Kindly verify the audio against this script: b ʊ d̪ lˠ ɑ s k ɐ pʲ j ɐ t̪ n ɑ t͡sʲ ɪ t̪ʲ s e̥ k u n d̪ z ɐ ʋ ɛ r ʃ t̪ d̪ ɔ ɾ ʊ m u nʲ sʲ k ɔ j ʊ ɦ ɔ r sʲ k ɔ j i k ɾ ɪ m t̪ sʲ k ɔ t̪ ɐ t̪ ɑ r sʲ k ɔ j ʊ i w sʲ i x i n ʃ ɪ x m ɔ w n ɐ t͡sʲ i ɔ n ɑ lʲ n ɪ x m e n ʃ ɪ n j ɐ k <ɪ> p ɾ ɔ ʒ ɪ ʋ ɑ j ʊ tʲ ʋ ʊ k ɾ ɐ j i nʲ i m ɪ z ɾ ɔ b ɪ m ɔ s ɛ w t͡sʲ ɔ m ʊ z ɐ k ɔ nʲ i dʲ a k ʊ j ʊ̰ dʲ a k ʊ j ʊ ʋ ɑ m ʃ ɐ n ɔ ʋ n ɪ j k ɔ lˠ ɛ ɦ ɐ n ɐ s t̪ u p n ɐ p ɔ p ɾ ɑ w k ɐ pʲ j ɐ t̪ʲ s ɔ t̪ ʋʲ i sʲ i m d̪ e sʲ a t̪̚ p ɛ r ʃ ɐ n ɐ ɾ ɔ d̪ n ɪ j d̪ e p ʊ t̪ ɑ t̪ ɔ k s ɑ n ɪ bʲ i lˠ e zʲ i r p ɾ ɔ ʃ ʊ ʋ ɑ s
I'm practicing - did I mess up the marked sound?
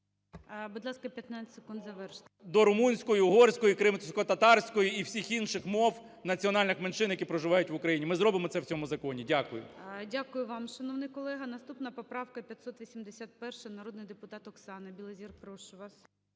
yes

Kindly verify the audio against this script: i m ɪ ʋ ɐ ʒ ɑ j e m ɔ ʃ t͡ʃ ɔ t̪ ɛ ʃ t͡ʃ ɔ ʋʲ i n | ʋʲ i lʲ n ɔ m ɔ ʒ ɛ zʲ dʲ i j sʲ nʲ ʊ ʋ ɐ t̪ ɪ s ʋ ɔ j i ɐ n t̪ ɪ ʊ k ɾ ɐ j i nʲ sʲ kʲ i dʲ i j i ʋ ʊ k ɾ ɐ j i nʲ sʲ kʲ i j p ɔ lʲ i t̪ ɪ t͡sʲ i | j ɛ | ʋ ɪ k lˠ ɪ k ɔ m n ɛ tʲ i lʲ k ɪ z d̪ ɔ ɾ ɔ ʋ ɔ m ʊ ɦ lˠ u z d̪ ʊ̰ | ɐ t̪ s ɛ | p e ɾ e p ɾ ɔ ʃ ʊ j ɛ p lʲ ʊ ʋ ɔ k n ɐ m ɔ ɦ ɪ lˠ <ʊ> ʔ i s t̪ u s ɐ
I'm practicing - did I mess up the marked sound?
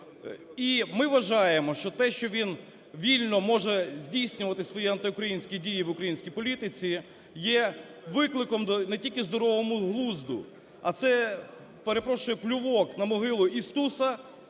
no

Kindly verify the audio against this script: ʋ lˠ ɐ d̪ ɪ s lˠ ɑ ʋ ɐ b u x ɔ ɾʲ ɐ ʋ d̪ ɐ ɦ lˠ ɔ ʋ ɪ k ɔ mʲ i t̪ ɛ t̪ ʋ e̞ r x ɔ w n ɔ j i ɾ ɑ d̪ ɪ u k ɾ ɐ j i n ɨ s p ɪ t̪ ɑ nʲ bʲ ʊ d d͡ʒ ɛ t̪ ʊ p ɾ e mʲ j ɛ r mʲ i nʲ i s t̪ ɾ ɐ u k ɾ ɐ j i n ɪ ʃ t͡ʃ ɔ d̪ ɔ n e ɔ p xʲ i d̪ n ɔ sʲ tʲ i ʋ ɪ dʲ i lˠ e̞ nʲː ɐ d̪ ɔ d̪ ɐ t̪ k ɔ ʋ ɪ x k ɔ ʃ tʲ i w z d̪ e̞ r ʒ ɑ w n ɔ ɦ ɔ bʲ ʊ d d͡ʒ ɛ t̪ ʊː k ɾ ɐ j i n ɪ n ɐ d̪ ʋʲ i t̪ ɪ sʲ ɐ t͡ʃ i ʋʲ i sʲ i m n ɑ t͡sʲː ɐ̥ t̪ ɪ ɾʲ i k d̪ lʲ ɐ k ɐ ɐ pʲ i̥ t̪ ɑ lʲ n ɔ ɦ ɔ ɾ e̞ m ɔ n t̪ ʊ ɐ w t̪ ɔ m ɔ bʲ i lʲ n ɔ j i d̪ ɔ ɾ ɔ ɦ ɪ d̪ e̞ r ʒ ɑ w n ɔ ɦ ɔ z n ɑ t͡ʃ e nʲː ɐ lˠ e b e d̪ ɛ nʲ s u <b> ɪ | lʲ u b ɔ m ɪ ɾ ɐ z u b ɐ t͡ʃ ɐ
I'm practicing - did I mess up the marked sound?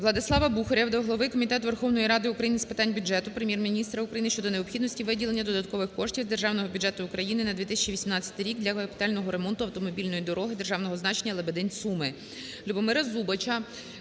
yes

